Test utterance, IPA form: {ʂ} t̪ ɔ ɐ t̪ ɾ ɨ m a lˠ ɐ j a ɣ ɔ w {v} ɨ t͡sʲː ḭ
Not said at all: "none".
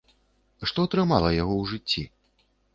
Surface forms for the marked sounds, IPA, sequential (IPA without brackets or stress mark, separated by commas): ʂ, ʐ